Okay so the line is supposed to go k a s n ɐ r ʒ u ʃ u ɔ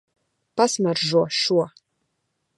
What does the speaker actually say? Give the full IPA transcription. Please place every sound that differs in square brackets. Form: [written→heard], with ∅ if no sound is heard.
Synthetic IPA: [k→p] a s [n→m] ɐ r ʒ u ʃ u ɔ